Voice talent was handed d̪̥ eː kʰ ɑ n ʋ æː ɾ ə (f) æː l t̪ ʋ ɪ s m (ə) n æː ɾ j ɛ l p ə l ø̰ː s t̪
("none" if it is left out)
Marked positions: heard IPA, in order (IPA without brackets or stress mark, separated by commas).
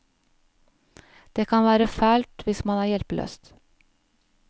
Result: f, ɑ